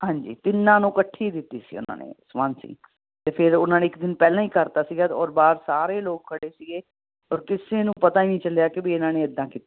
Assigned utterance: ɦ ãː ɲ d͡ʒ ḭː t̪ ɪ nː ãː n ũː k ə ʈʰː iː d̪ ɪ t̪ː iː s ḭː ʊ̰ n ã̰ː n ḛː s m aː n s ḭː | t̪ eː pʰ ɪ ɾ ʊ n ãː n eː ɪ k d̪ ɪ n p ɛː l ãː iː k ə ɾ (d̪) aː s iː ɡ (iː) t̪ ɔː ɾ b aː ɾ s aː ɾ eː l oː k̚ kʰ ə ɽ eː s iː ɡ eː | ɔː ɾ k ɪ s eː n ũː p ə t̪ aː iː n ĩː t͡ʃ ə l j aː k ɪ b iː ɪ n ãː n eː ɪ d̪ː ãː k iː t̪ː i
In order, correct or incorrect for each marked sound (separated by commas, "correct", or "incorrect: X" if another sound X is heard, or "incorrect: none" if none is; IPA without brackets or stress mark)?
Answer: incorrect: t̪, incorrect: aː